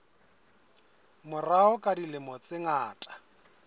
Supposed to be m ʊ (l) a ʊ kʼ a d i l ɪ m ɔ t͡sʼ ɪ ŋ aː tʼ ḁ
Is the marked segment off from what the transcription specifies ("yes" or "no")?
yes